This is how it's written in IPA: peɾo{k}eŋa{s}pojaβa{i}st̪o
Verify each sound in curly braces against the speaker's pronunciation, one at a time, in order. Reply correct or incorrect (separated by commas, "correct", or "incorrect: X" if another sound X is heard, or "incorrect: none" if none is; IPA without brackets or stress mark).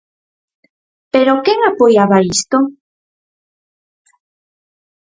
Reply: correct, incorrect: none, correct